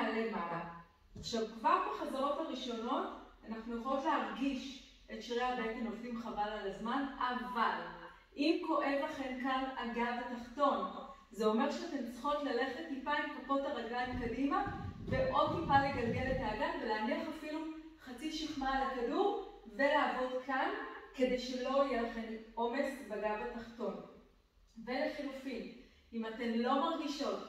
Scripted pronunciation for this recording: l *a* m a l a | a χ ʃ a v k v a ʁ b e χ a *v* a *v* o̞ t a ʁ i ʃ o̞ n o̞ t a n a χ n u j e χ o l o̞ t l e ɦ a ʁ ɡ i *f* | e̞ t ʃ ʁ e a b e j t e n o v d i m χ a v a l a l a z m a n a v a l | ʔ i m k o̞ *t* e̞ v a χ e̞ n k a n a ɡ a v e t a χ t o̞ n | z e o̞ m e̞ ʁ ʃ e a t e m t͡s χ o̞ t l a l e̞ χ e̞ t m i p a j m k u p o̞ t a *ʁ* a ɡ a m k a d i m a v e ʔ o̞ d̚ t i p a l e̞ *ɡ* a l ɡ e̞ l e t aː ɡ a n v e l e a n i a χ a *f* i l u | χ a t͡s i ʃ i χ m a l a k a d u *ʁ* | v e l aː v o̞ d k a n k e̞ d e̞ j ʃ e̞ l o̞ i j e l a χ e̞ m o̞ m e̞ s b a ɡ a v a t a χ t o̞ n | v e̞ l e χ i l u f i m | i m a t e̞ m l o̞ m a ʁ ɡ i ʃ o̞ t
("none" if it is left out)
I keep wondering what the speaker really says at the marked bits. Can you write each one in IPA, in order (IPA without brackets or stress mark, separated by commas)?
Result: e, z, ʁ, ʃ, ʔ, ʁ, ɡ, f, ʁ